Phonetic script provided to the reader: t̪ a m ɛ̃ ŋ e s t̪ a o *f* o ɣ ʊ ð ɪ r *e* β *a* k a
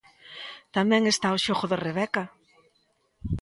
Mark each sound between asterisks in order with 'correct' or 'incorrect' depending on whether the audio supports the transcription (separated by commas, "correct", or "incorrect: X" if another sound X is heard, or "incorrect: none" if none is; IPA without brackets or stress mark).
incorrect: ʃ, correct, incorrect: ɛ